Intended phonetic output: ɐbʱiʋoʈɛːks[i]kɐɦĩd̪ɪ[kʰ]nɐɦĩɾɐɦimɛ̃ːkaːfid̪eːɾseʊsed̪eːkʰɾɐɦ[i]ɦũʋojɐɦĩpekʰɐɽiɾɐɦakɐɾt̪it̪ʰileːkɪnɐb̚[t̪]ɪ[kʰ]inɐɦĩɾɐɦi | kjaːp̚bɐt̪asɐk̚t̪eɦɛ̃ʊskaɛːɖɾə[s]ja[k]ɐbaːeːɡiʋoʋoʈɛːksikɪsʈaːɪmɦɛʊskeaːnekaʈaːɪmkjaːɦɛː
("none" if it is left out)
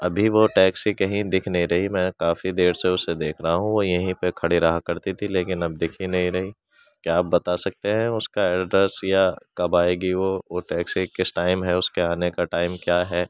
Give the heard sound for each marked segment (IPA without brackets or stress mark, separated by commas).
i, kʰ, a, d̪, kʰ, s, k